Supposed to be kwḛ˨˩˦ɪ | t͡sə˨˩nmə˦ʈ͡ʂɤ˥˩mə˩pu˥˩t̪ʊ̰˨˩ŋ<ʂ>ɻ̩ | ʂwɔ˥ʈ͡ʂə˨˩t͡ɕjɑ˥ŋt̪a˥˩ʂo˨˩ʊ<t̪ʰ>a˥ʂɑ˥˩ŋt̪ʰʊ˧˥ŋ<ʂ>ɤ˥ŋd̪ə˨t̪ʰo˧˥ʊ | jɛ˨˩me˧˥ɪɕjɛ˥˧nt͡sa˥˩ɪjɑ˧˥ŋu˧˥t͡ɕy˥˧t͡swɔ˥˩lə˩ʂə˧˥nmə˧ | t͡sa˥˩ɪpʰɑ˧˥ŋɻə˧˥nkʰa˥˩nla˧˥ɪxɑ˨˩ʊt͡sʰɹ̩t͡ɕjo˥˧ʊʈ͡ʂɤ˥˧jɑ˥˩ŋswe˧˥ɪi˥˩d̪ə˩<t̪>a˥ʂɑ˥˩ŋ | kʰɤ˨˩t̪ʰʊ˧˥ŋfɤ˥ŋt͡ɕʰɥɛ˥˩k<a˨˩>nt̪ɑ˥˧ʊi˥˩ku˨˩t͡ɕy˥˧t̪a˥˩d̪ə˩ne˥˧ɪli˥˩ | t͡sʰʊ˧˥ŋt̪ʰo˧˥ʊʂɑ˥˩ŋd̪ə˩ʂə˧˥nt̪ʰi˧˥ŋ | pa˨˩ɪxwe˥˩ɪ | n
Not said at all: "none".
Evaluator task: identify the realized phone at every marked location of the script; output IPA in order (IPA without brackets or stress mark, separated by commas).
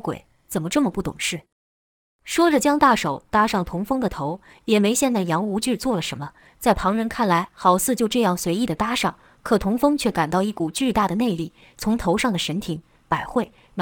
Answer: ʂ, t̪, f, t̪, a˨˩